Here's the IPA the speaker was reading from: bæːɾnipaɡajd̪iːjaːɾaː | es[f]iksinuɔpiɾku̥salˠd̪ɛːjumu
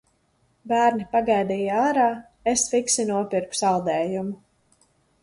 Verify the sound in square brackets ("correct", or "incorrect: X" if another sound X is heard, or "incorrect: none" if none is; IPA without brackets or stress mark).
correct